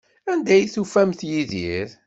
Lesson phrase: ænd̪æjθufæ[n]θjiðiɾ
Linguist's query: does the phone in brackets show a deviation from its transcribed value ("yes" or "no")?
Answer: yes